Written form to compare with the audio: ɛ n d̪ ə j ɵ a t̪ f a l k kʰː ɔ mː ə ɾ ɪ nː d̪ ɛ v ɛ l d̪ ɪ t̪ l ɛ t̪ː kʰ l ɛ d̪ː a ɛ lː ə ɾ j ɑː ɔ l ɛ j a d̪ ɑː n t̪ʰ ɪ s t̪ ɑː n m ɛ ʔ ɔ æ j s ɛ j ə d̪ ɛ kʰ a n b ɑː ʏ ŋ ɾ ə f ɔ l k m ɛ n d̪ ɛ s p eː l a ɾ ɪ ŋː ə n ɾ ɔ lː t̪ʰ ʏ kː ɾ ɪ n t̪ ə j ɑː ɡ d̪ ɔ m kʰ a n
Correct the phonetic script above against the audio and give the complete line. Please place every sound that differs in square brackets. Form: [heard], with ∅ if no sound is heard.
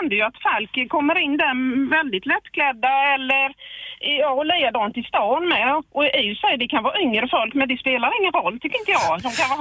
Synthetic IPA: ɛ n d̪ ə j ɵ a t̪ f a l k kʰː ɔ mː ə ɾ ɪ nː d̪ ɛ v ɛ l d̪ ɪ t̪ l ɛ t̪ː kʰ l ɛ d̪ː a ɛ lː ə ɾ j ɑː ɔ l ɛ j a d̪ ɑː n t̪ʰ ɪ s t̪ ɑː n m ɛ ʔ ɔ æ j s ɛ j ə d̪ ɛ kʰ a n [v] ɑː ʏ ŋ ɾ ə f ɔ l k m ɛ n d̪ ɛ s p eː l a ɾ ɪ ŋː ə n ɾ ɔ lː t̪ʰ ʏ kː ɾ ɪ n t̪ ə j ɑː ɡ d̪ ɔ m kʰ a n